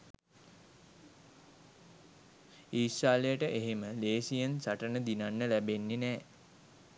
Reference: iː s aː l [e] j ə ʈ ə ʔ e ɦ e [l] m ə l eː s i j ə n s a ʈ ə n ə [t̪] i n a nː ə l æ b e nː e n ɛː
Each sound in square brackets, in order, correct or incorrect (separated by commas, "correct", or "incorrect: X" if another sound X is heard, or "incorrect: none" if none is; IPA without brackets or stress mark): correct, incorrect: none, incorrect: d̪